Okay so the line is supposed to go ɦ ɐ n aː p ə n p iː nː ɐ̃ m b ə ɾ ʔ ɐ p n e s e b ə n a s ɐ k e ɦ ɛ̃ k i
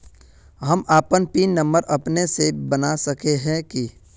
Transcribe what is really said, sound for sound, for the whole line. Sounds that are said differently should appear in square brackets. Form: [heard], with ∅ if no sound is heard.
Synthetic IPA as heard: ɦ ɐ [m] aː p ə n p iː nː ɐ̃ m b ə ɾ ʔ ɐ p n e s e b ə n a s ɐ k e ɦ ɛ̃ k i